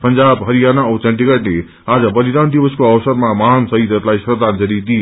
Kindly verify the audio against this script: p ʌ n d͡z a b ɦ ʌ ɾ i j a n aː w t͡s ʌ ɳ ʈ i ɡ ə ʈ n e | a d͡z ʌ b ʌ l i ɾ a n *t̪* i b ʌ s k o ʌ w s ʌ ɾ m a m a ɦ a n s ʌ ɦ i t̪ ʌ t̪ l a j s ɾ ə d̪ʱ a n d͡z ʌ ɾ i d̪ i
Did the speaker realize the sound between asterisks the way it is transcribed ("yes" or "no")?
no